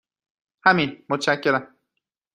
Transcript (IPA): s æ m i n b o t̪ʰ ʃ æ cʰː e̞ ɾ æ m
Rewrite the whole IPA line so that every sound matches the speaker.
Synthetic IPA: h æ m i n m o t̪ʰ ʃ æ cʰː e̞ ɾ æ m